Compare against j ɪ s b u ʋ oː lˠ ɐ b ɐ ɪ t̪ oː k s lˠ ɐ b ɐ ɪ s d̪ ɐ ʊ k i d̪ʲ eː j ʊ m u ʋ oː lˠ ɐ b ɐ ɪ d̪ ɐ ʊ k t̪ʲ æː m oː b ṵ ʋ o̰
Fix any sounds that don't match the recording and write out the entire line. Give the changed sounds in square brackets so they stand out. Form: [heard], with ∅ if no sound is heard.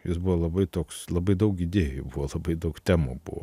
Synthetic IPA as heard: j ɪ s b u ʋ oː lˠ ɐ b ɐ ɪ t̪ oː k s lˠ ɐ b ɐ ɪ [∅] d̪ ɐ ʊ k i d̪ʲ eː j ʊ [b] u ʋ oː lˠ ɐ b ɐ ɪ d̪ ɐ ʊ k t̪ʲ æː m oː b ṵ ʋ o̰